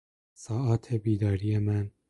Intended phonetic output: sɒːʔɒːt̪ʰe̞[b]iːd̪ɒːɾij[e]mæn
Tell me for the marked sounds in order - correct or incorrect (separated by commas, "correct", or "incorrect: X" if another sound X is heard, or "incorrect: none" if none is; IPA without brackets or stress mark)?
correct, correct